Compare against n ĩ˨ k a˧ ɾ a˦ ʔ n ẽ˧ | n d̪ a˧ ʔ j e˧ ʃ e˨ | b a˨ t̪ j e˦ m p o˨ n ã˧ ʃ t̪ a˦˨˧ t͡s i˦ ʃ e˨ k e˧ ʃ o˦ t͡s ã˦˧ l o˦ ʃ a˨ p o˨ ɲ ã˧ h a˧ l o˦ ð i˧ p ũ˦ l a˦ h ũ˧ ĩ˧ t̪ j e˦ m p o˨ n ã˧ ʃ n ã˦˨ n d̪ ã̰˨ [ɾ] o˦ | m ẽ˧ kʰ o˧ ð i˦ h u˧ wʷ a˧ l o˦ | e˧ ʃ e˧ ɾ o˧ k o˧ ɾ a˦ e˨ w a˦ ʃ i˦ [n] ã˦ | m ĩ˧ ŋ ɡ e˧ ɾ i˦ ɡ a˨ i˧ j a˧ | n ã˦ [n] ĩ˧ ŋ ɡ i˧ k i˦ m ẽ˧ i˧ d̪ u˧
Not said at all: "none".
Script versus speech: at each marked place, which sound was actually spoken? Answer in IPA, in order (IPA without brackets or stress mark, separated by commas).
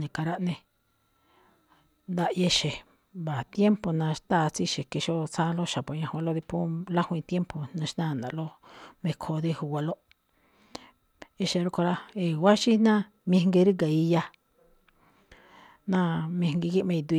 l, n, m